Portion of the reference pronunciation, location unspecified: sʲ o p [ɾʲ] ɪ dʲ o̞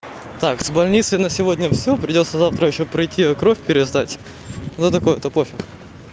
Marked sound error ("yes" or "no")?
no